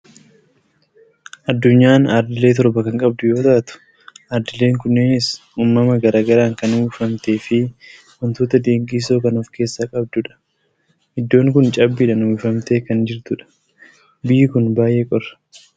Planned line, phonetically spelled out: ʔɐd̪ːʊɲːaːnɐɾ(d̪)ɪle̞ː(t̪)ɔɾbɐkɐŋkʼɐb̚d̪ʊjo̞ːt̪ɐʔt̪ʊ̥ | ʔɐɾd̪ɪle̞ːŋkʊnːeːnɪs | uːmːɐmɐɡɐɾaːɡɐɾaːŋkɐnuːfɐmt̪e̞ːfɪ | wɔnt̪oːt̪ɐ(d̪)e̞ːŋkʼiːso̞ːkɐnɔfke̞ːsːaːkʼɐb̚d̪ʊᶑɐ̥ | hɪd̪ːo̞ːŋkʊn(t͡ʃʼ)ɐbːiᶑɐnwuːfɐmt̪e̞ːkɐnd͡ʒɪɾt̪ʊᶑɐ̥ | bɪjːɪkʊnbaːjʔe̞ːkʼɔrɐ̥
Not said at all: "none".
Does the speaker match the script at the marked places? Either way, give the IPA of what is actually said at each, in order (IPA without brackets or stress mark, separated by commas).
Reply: d̪, t̪, d̪, t͡ʃʼ